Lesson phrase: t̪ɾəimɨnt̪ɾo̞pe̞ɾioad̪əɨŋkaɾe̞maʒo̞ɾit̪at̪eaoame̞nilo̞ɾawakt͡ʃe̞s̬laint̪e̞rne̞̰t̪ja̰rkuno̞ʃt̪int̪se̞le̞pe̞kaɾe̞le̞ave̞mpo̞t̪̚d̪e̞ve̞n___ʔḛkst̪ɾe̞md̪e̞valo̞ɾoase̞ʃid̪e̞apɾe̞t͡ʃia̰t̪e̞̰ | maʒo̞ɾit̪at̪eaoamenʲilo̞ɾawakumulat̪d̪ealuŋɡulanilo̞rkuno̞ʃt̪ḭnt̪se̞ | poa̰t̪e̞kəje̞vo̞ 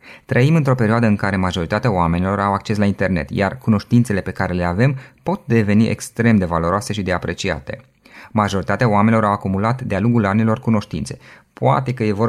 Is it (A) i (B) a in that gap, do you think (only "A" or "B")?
A